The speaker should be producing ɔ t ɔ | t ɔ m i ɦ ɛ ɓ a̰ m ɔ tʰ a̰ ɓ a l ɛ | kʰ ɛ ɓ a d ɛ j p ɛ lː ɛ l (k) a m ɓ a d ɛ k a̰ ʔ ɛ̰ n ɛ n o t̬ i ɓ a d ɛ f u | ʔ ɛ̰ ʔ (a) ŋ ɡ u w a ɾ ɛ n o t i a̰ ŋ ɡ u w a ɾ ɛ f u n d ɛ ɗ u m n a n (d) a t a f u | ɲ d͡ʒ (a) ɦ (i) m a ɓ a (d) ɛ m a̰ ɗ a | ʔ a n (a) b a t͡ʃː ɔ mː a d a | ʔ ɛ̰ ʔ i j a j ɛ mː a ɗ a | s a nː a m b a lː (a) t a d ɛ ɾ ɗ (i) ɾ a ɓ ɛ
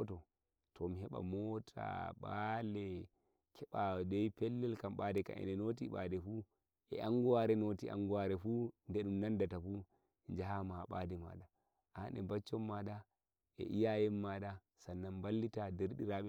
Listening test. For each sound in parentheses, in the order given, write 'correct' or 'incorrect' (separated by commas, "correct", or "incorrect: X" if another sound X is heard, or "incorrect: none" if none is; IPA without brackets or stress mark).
correct, correct, correct, correct, incorrect: a, correct, incorrect: ɛ, incorrect: i, correct